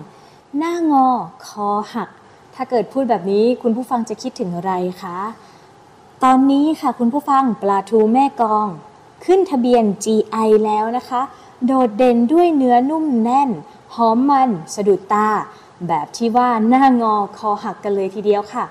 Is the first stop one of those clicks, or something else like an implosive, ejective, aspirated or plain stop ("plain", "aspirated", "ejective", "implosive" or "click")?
aspirated